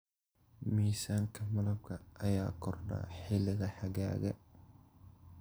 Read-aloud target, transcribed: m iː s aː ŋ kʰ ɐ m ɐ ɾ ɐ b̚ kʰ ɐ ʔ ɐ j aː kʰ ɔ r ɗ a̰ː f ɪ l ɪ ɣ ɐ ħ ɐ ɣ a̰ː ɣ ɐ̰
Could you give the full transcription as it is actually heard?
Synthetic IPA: m iː s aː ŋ kʰ ɐ m ɐ l ɐ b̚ kʰ ɐ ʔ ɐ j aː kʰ ɔ r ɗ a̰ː ħ ɪ l ɪ ɣ ɐ ħ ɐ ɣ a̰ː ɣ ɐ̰